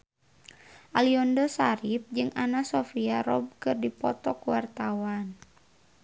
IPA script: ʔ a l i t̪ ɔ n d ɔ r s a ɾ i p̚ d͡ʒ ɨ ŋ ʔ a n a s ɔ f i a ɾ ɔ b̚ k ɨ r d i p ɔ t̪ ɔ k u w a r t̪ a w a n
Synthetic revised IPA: ʔ a l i ɔ n d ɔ s a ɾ i p̚ d͡ʒ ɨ ŋ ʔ a n a s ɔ f i a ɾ ɔ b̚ k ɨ r d i p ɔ t̪ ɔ k u w a r t̪ a w a n